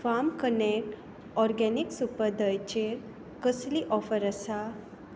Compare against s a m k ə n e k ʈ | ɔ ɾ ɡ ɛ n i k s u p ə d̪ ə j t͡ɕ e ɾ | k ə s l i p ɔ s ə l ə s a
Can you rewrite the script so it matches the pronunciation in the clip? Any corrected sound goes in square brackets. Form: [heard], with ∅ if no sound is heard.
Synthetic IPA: [f] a m k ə n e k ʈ | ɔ ɾ ɡ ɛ n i k s u p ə d̪ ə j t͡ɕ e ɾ | k ə s l i [ʔ] ɔ [f] ə [ɾ] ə s a